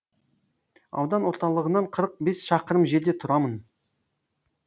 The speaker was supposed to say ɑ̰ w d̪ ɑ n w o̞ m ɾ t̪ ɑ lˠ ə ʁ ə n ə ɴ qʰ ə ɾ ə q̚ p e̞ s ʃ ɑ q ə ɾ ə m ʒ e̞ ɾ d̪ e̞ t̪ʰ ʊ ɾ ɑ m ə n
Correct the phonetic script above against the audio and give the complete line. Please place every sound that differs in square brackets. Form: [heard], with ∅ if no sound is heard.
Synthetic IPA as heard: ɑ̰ w d̪ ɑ n w o̞ [∅] ɾ t̪ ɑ lˠ ə ʁ ə n [ɑ] ɴ qʰ ə ɾ ə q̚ [b] e̞ s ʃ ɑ q ə ɾ ə m ʒ e̞ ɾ d̪ e̞ t̪ʰ ʊ ɾ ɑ m ə n